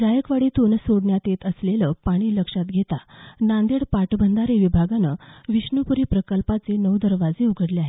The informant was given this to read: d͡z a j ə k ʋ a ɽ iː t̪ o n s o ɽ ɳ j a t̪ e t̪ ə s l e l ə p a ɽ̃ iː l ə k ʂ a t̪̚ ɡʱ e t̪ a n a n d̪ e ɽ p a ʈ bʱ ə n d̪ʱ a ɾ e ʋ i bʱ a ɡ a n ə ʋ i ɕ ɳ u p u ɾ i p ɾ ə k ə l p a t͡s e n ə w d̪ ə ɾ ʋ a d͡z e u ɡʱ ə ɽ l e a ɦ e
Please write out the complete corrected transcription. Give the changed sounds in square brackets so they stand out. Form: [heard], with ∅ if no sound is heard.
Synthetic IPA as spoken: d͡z a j ə k ʋ a ɽ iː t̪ o n s o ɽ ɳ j a t̪ e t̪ ə s l e l ə p a ɽ̃ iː l ə k ʂ a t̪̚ ɡʱ e t̪ a n a n d̪ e ɽ p a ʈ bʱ ə n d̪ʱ a ɾ e ʋ i bʱ a ɡ a n ə ʋ i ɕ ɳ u p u ɾ i p ɾ ə k ə l p a t͡s e n ə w d̪ ə ɾ ʋ a d͡z e u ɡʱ ə ɽ l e a ɦ e